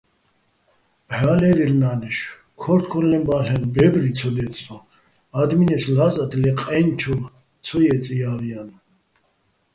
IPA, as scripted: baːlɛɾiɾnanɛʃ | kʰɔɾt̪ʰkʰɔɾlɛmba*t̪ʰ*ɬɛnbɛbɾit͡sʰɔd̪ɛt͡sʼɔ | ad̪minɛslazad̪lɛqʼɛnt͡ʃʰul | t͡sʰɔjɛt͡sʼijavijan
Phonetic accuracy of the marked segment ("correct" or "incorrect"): incorrect